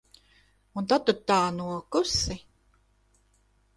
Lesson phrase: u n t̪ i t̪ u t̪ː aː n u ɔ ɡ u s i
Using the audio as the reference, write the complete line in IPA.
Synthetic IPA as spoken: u n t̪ a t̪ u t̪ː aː n u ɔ k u s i